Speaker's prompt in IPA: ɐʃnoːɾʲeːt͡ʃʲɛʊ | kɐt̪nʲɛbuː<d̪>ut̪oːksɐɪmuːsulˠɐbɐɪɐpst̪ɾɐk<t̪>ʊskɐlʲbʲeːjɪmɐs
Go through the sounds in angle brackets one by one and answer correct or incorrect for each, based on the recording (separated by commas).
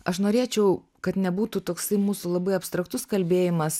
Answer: incorrect, correct